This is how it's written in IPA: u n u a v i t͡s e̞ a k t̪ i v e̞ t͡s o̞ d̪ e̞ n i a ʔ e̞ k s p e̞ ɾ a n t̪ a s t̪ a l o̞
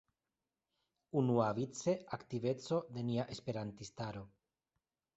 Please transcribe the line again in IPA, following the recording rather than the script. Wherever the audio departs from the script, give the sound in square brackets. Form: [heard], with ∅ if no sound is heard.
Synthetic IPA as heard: u n u a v i t͡s e̞ a k t̪ i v e̞ t͡s o̞ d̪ e̞ n i a ʔ e̞ [∅] s p e̞ ɾ a n t̪ [i] s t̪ a [ɾ] o̞